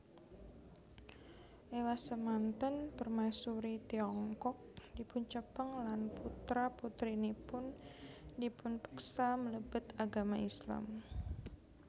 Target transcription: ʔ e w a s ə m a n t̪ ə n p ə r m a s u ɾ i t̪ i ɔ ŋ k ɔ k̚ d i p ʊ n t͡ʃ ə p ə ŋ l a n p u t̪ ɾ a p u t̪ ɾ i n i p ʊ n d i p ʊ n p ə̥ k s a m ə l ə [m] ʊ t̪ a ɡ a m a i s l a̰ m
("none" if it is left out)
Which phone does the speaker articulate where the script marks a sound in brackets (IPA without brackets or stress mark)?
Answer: b